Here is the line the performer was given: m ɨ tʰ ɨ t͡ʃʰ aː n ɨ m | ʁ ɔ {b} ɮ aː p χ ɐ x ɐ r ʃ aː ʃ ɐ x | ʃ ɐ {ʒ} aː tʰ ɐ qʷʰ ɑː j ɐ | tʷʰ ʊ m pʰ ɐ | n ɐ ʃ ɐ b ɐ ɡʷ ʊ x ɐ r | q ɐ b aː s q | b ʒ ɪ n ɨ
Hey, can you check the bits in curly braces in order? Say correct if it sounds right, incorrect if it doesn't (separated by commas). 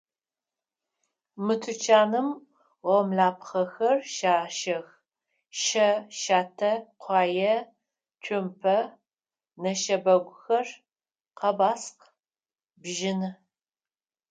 incorrect, incorrect